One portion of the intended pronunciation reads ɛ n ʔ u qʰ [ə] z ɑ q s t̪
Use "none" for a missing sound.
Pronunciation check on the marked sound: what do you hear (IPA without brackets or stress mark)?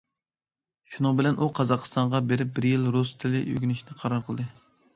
ɑ